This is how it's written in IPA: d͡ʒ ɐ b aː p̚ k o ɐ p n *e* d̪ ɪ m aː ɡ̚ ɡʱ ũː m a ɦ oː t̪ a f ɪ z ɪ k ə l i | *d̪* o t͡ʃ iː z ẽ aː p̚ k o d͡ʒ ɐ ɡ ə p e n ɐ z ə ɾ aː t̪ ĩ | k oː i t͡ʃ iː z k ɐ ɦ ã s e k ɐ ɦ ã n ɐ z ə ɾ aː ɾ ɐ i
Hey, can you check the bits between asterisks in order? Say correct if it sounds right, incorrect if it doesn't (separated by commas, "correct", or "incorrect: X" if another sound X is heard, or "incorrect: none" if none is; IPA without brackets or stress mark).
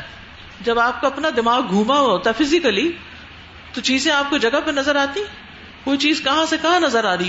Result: incorrect: a, incorrect: t̪